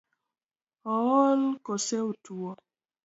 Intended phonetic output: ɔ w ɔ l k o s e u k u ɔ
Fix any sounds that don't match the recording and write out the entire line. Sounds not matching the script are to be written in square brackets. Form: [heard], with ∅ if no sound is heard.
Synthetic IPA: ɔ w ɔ l k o s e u [t] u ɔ